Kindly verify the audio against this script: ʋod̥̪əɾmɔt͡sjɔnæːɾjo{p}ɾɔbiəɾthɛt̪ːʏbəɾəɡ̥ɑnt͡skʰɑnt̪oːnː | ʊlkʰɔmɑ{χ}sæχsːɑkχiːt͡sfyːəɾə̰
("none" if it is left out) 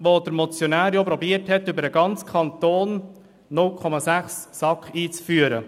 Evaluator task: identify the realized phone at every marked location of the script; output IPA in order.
p, none

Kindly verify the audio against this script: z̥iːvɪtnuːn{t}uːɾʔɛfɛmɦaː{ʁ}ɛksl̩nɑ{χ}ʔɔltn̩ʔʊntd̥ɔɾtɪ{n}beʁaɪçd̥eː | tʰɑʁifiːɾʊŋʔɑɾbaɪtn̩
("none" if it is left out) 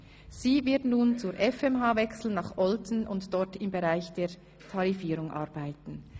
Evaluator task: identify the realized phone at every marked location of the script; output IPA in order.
t͡s, v, χ, m

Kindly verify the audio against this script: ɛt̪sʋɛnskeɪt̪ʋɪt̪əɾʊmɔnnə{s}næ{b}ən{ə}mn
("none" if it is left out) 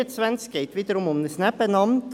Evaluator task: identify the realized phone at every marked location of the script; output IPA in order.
s, p, ɑ

